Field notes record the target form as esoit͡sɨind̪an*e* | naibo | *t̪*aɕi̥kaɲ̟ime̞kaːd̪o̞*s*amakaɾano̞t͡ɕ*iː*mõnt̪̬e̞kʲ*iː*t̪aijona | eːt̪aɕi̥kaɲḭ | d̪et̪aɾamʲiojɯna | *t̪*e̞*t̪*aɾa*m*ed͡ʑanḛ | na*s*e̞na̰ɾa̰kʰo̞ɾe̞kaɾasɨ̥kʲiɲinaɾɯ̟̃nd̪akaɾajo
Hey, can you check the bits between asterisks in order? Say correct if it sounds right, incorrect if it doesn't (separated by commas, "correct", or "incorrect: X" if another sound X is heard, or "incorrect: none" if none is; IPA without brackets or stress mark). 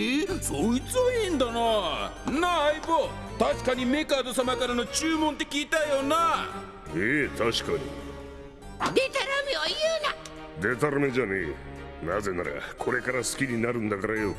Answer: incorrect: a, correct, correct, incorrect: ɨː, correct, incorrect: d̪, correct, correct, incorrect: z